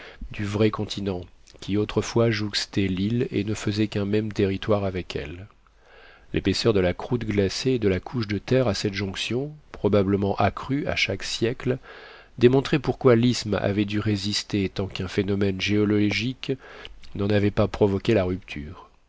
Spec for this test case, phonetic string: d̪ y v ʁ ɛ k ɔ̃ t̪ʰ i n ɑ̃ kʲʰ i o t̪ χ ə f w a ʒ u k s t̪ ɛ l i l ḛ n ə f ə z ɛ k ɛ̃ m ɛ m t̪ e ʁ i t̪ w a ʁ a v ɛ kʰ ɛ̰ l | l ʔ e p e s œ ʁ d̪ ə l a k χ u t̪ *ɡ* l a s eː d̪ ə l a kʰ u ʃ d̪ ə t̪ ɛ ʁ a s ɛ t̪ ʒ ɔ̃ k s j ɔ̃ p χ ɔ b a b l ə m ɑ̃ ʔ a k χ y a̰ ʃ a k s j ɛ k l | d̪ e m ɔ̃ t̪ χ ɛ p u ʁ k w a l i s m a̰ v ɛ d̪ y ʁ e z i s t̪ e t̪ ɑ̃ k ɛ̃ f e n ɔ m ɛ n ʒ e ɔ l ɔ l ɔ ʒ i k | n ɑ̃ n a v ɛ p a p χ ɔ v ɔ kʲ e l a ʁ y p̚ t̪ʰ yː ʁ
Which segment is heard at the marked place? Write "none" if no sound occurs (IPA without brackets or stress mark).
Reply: ɡ